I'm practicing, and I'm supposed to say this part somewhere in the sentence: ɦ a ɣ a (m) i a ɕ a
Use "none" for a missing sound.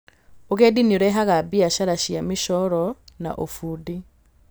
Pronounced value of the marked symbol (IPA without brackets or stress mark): b